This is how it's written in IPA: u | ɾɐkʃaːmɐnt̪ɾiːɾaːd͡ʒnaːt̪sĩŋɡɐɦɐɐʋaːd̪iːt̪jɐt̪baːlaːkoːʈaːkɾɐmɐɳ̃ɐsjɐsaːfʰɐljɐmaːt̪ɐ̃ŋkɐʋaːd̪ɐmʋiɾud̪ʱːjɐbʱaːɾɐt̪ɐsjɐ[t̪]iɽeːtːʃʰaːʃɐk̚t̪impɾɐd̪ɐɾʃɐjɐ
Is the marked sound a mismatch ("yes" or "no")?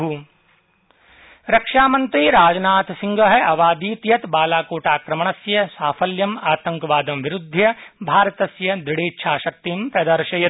yes